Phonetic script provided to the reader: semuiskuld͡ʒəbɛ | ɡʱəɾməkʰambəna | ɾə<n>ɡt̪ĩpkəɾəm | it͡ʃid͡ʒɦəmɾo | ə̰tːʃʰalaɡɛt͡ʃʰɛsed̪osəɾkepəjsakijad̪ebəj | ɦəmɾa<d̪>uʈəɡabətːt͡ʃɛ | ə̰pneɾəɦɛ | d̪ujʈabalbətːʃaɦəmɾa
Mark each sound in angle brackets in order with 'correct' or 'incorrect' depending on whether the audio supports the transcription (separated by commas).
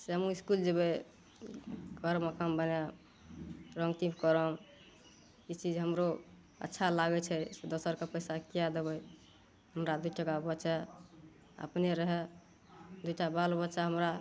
incorrect, correct